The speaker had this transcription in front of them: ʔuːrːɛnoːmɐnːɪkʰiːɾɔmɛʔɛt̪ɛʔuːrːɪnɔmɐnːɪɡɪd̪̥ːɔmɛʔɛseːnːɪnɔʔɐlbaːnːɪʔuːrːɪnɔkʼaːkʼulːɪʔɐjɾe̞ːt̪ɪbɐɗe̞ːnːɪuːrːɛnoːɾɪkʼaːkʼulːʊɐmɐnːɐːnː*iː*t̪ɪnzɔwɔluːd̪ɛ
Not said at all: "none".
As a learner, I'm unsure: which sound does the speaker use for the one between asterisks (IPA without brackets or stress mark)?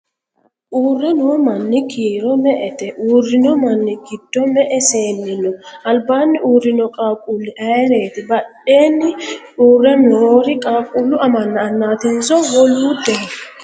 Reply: aː